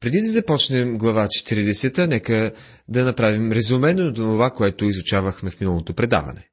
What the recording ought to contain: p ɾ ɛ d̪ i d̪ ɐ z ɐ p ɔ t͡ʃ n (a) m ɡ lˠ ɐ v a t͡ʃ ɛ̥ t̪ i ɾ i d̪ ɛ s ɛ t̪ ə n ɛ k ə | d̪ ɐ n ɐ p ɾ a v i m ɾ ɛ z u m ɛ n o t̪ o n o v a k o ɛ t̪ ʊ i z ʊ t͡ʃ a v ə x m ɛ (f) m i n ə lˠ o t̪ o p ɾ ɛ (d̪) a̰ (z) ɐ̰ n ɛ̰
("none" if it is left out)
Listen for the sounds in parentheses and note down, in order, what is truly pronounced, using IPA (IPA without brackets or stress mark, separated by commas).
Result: ɛ, f, d̪, v